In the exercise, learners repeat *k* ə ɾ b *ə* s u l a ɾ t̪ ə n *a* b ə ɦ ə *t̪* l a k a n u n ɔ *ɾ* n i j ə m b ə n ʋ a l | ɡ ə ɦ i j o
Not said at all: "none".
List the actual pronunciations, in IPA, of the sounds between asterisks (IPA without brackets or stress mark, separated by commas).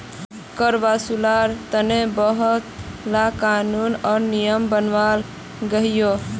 k, a, e, t̪, ɾ